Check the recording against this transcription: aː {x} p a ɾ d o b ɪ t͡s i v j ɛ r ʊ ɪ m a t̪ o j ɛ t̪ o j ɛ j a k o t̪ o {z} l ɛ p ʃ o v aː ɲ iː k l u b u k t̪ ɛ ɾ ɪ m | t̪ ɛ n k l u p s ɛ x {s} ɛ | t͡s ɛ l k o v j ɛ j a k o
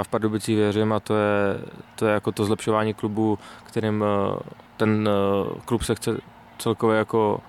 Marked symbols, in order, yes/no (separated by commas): no, yes, no